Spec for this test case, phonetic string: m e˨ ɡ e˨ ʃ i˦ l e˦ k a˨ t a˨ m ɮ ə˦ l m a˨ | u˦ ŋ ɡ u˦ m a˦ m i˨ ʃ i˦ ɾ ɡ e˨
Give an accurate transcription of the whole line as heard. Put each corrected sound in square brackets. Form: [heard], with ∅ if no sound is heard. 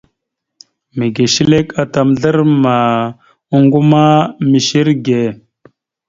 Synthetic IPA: m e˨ ɡ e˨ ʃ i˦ l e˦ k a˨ t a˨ m ɮ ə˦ [ɾ] m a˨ | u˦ ŋ ɡ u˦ m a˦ m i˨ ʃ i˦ ɾ ɡ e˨

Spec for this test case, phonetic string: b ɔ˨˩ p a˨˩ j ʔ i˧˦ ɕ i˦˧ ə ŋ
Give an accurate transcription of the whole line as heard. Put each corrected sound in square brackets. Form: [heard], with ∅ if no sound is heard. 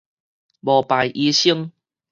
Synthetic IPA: b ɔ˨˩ p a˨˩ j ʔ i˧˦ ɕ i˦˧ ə ŋ

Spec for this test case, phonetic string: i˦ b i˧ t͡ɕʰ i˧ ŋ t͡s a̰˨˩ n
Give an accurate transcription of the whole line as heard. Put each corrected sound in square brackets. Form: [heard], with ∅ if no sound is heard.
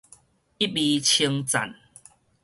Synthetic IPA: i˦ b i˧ t͡ɕʰ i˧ ŋ t͡s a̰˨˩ n

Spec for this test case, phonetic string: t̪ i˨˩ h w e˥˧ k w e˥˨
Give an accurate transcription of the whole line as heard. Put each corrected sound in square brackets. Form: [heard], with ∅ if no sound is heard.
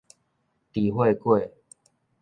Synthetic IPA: t̪ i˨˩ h w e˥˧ k w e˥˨

